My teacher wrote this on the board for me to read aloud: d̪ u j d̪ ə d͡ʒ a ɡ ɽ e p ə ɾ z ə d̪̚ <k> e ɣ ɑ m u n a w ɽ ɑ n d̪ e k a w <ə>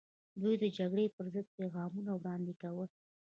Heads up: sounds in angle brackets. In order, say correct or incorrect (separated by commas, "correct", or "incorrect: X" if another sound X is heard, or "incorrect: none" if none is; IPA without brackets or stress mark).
incorrect: p, correct